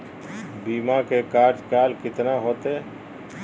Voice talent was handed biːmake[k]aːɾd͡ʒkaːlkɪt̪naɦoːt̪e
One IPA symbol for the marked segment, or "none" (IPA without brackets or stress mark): k